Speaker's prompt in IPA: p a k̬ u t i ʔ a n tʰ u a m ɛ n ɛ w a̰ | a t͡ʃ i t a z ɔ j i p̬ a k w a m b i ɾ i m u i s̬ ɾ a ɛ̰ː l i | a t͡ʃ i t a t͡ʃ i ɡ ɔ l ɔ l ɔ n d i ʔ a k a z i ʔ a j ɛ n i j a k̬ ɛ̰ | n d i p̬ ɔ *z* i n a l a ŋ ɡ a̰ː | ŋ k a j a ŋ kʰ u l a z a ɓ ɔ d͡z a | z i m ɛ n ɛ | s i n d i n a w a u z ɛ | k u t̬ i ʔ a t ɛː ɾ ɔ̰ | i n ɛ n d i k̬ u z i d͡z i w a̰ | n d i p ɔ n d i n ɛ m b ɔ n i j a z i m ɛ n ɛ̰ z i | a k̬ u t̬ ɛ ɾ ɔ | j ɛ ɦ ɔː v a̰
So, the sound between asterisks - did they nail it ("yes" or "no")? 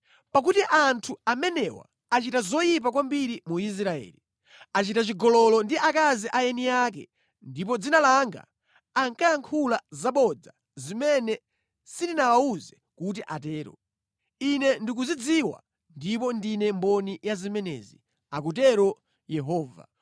no